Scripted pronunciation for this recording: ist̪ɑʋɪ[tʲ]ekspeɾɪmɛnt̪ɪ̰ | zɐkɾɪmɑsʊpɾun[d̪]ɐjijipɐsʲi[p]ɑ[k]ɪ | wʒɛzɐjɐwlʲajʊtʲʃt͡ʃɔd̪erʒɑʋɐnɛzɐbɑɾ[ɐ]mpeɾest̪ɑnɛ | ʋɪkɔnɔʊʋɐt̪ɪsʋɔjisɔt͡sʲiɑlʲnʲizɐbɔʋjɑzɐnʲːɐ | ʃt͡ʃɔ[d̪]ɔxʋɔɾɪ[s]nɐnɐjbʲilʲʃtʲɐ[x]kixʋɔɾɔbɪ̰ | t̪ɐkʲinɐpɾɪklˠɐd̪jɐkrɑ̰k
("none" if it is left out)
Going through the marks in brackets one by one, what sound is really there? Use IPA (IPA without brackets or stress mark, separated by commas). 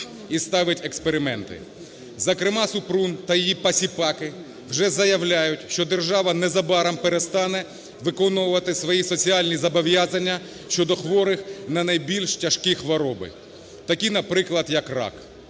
tʲ, t̪, p, k, ɐ, d̪, x, ʃ